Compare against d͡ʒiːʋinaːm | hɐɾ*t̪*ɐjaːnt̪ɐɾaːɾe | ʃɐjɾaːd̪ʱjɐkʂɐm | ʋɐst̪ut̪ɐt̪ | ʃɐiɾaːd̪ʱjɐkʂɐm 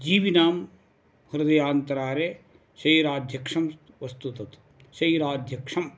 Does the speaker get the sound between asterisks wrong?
yes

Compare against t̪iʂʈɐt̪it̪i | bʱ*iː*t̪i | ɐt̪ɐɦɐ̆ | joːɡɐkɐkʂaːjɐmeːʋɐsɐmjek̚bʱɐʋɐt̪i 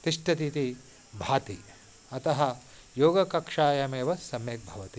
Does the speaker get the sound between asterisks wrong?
yes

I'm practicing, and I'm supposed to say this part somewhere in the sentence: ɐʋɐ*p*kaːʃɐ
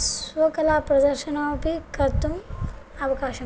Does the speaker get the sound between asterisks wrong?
yes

